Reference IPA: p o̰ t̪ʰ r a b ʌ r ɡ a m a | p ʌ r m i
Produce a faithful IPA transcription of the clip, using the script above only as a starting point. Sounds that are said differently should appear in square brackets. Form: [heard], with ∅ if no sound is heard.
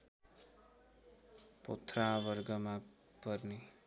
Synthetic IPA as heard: p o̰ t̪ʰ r a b ʌ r ɡ [ʌ] m a | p ʌ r [n] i

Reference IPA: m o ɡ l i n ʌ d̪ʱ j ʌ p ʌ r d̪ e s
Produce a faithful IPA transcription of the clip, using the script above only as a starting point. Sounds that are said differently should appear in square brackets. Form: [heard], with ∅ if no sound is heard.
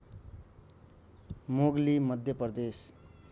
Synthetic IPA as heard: m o ɡ l i [m] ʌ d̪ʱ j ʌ p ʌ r d̪ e s

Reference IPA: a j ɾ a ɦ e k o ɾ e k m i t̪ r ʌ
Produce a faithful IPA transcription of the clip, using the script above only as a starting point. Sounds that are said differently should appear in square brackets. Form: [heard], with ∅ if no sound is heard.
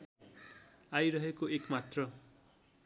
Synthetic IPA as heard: a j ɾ [ʌ] ɦ e k o [∅] e k m [a] t̪ r ʌ

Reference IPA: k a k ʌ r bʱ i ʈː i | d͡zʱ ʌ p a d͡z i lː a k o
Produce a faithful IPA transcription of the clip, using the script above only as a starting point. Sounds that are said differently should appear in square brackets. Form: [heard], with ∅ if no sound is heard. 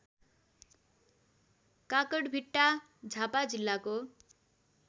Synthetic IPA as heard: k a k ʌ [ɽ] bʱ i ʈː [a] | d͡zʱ [a] p a d͡z i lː a k o

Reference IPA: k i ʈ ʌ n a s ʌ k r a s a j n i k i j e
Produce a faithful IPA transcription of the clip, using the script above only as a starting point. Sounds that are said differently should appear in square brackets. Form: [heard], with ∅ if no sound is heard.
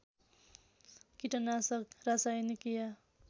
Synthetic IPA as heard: k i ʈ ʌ n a s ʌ k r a s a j n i k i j [a]

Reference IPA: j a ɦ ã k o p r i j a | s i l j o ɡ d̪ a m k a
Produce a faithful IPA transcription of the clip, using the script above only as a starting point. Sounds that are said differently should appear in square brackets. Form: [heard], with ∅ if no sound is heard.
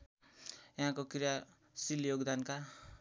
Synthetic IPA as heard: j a ɦ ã k o [k] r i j a | s i l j o ɡ d̪ a [n] k a

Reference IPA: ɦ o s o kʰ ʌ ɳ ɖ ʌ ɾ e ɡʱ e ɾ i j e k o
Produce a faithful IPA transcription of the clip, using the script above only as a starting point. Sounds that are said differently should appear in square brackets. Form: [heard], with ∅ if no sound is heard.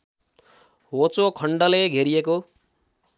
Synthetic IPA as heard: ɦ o [t͡s] o kʰ ʌ ɳ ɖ ʌ [l] e ɡʱ e ɾ i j e k o

